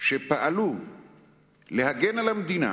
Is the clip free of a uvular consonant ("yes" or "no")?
yes